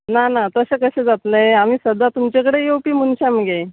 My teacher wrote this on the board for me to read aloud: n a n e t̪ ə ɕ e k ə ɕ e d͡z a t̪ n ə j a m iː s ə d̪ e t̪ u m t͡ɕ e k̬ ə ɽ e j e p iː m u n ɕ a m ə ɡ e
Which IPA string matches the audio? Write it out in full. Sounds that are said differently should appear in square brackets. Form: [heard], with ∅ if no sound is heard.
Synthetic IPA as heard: n a n [a] t̪ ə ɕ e k ə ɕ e d͡z a t̪ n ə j a m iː s ə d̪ [a] t̪ u m t͡ɕ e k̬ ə ɽ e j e p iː m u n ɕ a m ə ɡ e